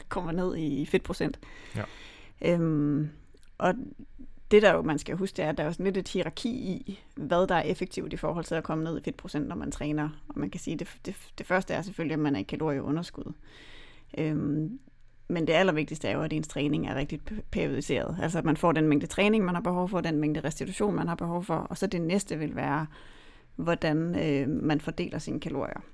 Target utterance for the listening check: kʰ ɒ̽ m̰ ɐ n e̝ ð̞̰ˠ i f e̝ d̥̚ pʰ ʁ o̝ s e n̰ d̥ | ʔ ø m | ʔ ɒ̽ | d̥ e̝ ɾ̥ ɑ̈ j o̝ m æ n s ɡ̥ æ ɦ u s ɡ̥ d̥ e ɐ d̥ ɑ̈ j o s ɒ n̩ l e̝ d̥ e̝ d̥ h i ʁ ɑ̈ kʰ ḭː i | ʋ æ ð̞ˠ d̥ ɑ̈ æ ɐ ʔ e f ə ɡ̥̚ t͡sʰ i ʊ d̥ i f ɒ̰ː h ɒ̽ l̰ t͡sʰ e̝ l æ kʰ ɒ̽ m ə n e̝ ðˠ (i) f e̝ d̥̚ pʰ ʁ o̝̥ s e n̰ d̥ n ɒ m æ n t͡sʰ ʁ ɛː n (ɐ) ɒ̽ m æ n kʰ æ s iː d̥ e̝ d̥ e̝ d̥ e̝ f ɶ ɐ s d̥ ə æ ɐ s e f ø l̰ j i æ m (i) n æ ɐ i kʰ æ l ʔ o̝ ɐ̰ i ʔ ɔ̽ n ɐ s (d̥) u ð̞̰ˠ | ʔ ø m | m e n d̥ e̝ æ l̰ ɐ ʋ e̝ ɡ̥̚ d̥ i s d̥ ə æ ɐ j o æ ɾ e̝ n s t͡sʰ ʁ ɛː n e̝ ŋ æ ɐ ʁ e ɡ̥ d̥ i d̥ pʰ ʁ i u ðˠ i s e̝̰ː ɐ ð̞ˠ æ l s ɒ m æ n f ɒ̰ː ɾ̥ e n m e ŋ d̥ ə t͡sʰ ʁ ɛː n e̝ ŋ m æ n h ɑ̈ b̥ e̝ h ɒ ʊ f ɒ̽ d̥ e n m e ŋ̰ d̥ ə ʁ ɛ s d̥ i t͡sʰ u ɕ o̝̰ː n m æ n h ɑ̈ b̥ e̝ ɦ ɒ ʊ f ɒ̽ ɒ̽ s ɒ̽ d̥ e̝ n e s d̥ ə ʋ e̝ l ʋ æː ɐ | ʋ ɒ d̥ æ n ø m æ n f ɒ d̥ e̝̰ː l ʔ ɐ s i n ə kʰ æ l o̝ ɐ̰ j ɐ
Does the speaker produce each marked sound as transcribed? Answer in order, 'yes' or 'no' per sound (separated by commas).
yes, yes, no, no